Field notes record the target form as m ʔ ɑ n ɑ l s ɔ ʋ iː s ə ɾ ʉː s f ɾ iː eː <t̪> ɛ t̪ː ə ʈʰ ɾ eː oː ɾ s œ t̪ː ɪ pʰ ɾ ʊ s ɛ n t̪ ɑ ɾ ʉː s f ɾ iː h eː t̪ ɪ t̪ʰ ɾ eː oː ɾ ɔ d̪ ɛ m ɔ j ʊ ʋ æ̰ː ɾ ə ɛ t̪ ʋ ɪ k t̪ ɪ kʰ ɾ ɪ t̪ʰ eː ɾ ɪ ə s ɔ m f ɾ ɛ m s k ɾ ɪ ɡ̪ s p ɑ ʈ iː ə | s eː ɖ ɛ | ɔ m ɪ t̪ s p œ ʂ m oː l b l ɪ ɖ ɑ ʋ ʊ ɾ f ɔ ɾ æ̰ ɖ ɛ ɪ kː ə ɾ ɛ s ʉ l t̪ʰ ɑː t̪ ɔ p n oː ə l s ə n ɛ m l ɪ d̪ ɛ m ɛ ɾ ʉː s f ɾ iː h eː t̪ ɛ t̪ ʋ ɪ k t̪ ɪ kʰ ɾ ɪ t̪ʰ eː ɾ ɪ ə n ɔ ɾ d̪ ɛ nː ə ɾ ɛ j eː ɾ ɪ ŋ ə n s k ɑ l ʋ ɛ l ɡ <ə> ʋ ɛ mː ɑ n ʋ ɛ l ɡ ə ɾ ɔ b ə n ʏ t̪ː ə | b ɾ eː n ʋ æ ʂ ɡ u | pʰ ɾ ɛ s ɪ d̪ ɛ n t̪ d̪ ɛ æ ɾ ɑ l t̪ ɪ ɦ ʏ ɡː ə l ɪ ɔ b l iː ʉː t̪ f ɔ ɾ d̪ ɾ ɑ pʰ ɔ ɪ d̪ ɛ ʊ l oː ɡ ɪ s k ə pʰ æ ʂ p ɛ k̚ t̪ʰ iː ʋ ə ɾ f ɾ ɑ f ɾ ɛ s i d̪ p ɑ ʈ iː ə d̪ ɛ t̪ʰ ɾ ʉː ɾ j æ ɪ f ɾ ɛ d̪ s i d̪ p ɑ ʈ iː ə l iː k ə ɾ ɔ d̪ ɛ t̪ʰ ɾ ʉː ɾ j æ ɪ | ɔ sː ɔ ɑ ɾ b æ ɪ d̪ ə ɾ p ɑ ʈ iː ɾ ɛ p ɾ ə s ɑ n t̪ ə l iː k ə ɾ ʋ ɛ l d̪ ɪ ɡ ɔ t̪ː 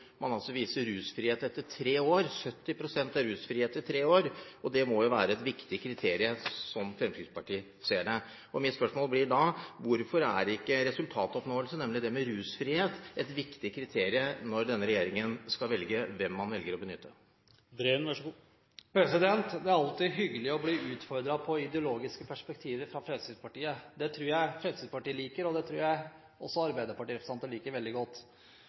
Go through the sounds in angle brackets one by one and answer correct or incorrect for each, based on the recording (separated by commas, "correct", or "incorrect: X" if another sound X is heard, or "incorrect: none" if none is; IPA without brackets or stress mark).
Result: correct, correct